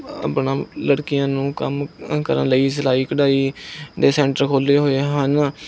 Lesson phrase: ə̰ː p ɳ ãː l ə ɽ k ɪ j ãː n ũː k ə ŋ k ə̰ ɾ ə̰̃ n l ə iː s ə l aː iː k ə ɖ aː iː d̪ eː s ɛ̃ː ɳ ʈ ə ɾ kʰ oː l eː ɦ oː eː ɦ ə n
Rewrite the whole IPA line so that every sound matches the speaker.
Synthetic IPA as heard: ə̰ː p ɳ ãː l ə ɽ k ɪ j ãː n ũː k ə m k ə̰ ɾ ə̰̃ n l ə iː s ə l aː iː k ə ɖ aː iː d̪ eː s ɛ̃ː ɳ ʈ ə ɾ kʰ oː l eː ɦ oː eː ɦ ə n